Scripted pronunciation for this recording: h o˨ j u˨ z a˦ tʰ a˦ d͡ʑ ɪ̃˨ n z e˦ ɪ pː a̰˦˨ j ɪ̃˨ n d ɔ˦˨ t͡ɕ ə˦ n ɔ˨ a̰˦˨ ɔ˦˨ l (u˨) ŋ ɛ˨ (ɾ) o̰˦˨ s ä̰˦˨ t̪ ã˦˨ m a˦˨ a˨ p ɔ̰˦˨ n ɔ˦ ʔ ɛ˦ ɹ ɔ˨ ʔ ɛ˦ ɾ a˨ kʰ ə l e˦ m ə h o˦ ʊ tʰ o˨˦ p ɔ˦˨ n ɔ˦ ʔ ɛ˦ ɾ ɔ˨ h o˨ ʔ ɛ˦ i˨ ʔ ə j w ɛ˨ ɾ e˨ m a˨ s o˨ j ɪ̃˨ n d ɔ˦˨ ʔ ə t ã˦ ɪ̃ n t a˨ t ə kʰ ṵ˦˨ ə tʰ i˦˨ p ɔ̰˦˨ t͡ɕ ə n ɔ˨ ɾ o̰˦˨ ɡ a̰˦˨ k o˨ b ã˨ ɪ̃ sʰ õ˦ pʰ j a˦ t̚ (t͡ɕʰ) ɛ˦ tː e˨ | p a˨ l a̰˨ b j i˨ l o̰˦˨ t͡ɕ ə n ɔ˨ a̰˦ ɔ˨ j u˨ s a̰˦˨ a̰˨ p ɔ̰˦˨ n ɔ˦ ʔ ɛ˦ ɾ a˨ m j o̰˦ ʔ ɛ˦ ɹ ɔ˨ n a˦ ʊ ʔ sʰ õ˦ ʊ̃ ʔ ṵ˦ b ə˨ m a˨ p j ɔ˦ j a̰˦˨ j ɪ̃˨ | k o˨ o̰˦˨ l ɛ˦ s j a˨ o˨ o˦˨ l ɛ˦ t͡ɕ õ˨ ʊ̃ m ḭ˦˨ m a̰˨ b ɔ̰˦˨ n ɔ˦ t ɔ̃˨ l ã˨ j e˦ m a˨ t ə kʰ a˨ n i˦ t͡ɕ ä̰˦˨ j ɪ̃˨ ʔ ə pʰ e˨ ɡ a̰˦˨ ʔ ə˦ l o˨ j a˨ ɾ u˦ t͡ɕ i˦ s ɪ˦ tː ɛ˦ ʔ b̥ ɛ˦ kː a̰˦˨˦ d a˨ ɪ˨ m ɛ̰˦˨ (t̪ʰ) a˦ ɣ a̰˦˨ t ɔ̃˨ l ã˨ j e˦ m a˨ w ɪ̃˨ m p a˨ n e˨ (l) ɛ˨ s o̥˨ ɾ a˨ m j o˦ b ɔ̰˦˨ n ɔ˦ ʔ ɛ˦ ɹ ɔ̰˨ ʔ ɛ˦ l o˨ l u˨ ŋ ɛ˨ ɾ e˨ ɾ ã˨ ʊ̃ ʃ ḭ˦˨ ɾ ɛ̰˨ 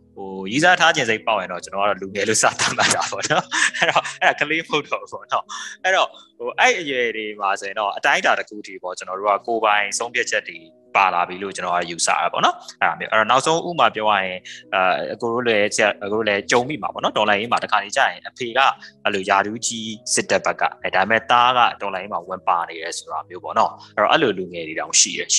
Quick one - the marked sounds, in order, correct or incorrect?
correct, incorrect, correct, incorrect, incorrect

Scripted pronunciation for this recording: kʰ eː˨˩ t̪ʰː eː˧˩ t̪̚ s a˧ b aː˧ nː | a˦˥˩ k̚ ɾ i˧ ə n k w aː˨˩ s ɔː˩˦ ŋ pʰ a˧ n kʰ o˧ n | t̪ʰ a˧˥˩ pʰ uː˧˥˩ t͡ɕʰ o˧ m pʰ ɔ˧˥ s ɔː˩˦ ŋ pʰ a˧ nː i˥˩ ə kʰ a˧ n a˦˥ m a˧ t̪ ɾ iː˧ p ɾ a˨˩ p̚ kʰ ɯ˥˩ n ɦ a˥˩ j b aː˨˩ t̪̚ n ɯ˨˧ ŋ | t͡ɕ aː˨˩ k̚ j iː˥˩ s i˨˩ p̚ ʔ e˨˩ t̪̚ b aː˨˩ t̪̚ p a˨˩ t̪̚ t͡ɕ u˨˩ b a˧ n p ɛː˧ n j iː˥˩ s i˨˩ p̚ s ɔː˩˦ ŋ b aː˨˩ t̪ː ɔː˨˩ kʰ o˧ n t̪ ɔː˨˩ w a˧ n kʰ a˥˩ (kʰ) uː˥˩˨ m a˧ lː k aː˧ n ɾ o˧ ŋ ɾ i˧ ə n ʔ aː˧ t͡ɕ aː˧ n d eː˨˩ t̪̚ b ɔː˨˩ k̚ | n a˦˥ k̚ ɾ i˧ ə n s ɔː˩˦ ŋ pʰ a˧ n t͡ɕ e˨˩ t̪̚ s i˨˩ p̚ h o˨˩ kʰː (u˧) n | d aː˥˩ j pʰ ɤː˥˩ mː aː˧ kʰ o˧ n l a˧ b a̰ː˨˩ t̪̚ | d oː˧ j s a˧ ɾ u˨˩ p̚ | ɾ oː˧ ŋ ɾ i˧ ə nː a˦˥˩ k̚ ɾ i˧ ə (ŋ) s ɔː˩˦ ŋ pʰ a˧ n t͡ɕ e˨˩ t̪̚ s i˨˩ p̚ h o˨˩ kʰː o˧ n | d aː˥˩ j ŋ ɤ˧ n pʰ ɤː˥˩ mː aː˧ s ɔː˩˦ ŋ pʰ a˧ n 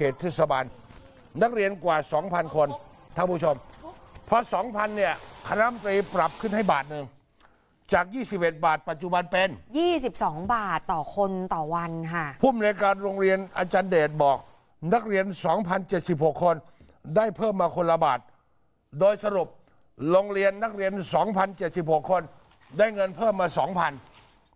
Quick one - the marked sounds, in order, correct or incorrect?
incorrect, incorrect, incorrect

